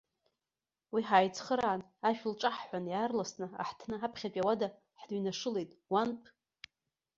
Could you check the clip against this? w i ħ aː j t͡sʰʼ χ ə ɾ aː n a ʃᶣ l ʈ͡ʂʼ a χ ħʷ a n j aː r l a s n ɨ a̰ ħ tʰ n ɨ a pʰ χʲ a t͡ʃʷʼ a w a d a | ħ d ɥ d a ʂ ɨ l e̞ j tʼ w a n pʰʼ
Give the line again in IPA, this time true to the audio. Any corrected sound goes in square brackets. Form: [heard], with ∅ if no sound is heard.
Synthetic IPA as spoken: w i ħ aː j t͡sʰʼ χ ə ɾ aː n a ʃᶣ l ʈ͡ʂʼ a [ħ] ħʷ a n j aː r l a s n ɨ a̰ ħ tʰ n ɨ a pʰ χʲ a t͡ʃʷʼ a w a d a | ħ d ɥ [n] a ʂ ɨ l e̞ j tʼ w a n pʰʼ

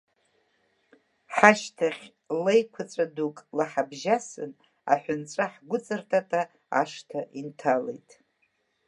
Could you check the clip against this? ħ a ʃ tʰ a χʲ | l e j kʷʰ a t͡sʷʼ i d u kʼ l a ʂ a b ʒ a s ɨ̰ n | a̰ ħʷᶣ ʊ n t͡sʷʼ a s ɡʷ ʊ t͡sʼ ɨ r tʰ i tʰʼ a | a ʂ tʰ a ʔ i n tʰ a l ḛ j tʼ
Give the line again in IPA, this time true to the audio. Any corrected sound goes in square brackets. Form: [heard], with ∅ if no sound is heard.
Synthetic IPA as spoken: ħ a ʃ tʰ a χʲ | l e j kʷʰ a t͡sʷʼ [a] d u kʼ l a [ħ] a b ʒ a s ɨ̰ n | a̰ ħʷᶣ ʊ n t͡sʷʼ a [ħ] ɡʷ ʊ t͡sʼ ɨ r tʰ [a] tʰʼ a | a ʂ tʰ a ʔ i n tʰ a l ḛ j tʼ

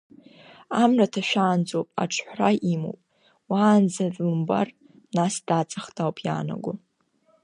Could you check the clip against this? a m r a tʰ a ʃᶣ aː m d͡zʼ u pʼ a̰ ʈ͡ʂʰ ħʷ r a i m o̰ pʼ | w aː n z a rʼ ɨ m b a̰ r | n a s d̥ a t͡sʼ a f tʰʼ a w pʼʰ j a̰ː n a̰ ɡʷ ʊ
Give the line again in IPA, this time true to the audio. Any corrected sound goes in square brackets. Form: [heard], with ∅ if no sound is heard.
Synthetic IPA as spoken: a m r a tʰ a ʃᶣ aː [n] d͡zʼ [o] pʼ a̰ ʈ͡ʂʰ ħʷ r a i m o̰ pʼ | w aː n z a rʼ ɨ m b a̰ r | n a s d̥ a t͡sʼ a [χ] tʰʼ a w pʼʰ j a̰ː n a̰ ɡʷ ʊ

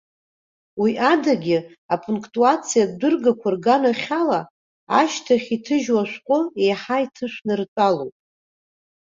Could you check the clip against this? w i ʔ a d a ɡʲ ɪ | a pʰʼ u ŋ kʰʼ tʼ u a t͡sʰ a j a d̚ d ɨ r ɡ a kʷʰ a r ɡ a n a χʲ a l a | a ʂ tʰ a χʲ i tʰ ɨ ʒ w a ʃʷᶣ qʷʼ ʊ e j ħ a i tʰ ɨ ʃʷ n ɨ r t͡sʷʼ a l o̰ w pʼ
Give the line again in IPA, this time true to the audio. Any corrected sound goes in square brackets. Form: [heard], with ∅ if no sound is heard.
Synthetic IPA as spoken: w i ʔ a d a ɡʲ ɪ | a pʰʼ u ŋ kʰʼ tʼ u a t͡sʰ [i] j a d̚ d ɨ r ɡ a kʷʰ a r ɡ a n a χʲ a l a | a [ʃ] tʰ a χʲ i tʰ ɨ ʒ w a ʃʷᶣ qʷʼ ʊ e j ħ a i tʰ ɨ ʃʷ n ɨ r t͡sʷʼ a l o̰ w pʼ

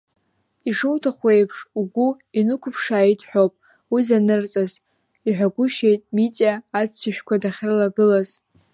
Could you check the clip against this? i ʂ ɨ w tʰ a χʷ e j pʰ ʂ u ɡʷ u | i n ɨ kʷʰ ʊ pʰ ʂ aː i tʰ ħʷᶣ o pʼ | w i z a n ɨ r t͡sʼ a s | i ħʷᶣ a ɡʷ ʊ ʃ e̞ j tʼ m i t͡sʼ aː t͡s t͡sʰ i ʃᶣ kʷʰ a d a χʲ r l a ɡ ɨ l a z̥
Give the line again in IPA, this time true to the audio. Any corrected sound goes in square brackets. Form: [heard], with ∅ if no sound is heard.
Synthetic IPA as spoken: i ʂ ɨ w tʰ a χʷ e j pʰ ʂ u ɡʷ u | i n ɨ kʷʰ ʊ pʰ ʂ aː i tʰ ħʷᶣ o pʼ | w i z a n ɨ r t͡sʼ a [z] | i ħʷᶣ a ɡʷ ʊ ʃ e̞ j tʼ m i t͡sʼ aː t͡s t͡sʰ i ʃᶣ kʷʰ a d a χʲ r l a ɡ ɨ l a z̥

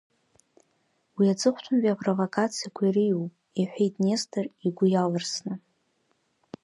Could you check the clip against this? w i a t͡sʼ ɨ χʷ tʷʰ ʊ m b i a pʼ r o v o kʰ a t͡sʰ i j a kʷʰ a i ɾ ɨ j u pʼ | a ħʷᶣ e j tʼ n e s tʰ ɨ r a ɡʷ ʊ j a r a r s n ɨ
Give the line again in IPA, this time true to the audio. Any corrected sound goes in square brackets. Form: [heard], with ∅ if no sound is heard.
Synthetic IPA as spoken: w i a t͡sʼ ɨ χʷ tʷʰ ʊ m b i a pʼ r o v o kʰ a t͡sʰ i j a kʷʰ a i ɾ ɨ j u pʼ | [i] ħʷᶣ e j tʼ n e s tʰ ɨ r [i] ɡʷ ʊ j a [l] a r s n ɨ

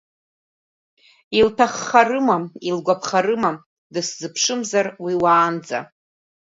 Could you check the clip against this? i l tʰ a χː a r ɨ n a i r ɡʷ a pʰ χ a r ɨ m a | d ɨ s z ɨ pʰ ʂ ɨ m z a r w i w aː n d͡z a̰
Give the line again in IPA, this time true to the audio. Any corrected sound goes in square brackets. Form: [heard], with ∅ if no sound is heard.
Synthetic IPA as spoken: i l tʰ a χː a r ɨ [m] a i [l] ɡʷ a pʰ χ a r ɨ m a | d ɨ s z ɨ pʰ ʂ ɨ m z a r w i w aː n d͡z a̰

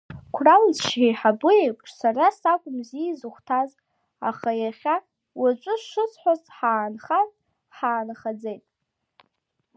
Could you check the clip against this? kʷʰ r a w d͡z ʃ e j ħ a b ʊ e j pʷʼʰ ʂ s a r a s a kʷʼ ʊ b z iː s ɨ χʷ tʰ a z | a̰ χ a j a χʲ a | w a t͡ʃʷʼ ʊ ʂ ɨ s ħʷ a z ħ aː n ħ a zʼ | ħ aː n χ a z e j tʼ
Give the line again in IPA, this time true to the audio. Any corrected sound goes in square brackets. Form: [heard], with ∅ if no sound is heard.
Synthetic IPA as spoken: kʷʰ r a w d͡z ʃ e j ħ a b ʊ e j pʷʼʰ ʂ s a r a s a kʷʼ ʊ [m] z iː [z] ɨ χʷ tʰ a z | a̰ χ a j a χʲ a | w a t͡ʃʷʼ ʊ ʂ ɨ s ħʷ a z ħ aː n [χ] a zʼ | ħ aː n χ a [d͡z] e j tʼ

